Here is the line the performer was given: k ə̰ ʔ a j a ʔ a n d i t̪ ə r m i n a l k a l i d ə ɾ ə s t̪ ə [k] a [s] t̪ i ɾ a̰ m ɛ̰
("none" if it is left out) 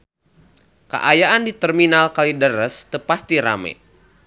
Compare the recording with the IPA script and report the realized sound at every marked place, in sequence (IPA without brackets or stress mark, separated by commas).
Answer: p, s